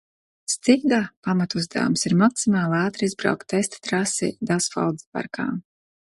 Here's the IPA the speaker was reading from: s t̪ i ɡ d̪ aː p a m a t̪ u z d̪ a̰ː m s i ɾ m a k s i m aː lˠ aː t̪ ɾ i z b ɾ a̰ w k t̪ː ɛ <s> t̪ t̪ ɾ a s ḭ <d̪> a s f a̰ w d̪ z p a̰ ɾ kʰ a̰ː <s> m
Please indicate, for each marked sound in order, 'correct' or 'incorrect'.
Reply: correct, correct, incorrect

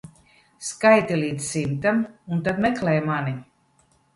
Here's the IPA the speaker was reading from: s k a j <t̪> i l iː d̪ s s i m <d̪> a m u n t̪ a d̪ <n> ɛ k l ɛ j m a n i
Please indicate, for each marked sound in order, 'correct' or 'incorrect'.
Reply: correct, incorrect, incorrect

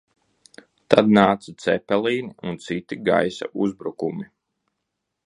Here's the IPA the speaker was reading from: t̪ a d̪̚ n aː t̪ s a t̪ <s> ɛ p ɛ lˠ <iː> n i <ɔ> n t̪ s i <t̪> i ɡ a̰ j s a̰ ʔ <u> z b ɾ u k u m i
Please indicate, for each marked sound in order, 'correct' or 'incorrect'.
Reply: correct, correct, incorrect, correct, correct

